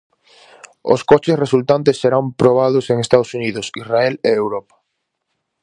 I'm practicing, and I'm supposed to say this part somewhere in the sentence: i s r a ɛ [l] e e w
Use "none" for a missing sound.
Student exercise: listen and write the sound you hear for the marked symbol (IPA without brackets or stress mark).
l